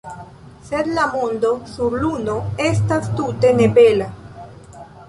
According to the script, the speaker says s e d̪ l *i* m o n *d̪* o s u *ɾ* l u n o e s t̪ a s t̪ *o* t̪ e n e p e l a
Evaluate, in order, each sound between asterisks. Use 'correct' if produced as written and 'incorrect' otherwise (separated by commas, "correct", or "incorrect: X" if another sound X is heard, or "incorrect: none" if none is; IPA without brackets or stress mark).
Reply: incorrect: a, correct, correct, incorrect: u